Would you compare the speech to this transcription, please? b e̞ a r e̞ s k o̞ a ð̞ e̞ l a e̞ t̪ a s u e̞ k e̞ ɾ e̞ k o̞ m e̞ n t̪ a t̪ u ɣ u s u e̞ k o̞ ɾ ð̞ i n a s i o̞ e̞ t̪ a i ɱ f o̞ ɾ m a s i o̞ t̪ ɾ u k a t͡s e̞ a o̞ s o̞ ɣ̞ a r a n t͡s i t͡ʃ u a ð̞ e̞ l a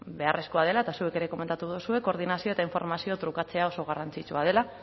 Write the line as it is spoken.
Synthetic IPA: b e̞ a r e̞ s k o̞ a ð̞ e̞ l a e̞ t̪ a s u e̞ k e̞ ɾ e̞ k o̞ m e̞ n t̪ a t̪ u ð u s u e̞ k o̞ ɾ ð̞ i n a s i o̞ e̞ t̪ a i ɱ f o̞ ɾ m a s i o̞ t̪ ɾ u k a t͡s e̞ a o̞ s o̞ ɣ̞ a r a n t͡s i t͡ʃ u a ð̞ e̞ l a